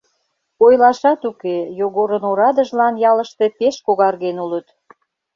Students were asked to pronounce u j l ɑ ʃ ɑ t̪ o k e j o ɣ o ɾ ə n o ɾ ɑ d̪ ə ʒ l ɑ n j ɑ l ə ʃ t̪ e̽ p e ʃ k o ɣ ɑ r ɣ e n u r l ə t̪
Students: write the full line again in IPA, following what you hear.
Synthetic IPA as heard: o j l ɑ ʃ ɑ t̪ u k e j o ɣ o ɾ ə n o ɾ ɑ d̪ ə ʒ l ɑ n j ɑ l ə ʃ t̪ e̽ p e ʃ k o ɣ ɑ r ɣ e n u l ə t̪